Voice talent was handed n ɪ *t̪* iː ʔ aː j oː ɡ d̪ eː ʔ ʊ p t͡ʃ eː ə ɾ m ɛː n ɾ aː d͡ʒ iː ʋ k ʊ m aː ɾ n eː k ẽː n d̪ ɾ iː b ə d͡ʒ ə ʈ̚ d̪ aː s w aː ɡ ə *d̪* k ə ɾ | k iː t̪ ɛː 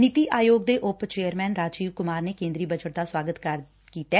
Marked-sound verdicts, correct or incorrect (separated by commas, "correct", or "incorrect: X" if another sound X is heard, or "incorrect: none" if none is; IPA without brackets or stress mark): correct, incorrect: t̪